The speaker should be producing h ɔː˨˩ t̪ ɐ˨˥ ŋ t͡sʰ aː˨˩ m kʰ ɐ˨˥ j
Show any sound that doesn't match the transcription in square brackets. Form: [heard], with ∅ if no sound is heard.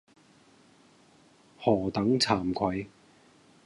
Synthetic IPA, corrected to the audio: h ɔː˨˩ t̪ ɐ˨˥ ŋ t͡sʰ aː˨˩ m kʰ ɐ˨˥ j

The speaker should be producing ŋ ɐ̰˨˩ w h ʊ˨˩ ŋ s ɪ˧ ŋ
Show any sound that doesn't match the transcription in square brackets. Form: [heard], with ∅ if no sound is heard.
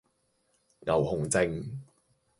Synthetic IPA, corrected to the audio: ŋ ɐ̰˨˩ w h ʊ˨˩ ŋ [t͡s] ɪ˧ ŋ

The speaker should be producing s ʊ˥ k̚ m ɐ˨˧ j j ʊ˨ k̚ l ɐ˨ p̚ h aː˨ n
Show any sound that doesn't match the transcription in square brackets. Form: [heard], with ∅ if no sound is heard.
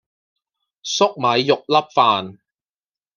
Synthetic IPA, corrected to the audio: s ʊ˥ k̚ m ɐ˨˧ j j ʊ˨ k̚ l [ɐ˥] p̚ [f] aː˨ n

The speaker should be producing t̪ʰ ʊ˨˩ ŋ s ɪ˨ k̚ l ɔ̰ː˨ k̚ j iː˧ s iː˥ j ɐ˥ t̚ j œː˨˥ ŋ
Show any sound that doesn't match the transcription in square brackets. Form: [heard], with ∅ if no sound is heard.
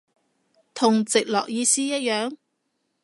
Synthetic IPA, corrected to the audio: t̪ʰ ʊ˨˩ ŋ [t͡s] ɪ˨ k̚ l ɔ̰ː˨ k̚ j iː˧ s iː˥ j ɐ˥ t̚ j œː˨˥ ŋ

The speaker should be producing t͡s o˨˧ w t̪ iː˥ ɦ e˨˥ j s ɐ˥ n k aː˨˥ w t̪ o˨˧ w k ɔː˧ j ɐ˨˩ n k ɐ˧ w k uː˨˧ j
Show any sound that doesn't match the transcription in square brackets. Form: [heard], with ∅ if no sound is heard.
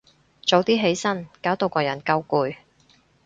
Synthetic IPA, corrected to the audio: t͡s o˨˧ w t̪ iː˥ ɦ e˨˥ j s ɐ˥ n k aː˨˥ w t̪ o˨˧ w k ɔː˧ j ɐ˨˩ n k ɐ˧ w k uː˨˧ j

